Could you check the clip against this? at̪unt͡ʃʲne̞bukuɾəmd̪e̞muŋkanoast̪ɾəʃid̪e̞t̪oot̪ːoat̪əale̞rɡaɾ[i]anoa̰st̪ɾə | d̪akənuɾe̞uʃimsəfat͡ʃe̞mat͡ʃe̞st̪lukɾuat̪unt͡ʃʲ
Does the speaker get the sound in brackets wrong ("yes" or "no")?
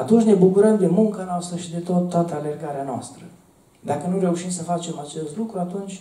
yes